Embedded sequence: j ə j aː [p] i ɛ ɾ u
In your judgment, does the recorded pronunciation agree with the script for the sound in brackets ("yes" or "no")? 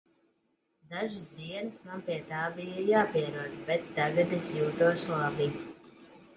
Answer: yes